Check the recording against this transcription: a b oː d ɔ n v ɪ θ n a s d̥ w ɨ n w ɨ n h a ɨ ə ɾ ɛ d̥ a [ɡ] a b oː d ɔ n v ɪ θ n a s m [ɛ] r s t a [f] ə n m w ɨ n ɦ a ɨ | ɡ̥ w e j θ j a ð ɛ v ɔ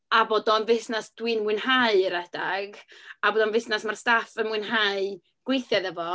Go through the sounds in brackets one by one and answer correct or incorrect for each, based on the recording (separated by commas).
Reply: correct, incorrect, correct